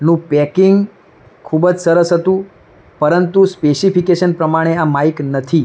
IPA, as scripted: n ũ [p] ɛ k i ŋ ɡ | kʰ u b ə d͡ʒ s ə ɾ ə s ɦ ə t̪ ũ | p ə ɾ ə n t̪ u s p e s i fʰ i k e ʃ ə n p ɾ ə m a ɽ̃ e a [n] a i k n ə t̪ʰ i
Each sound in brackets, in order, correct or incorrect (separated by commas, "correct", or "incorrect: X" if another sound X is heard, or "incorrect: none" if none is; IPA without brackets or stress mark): correct, incorrect: m